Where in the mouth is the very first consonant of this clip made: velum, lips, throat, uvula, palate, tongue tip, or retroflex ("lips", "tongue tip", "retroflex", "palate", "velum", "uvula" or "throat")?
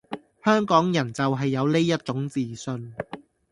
throat